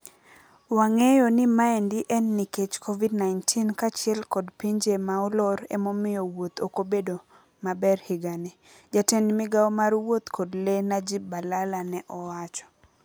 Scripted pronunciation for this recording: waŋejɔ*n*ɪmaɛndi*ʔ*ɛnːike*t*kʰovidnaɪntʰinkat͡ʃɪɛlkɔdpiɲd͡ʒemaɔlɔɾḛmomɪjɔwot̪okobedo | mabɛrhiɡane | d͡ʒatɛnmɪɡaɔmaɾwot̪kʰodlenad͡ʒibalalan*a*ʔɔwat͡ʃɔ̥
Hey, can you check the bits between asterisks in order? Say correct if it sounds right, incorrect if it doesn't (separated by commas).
correct, correct, incorrect, incorrect